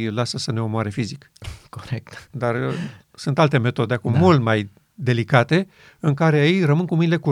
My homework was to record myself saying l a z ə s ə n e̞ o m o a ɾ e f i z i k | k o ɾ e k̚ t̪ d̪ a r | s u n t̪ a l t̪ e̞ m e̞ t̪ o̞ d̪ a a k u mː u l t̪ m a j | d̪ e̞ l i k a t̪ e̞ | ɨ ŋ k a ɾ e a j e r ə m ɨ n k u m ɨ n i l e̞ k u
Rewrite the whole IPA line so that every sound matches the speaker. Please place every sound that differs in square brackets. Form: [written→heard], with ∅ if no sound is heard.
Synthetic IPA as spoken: l a [z→s] ə s ə n e̞ o m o a ɾ e f i z i k | k o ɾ e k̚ t̪ d̪ a r | s u n t̪ a l t̪ e̞ m e̞ t̪ o̞ d̪ [a→e] a k u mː u l t̪ m a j | d̪ e̞ l i k a t̪ e̞ | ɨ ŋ k a ɾ e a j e r ə m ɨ n k u m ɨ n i l e̞ k u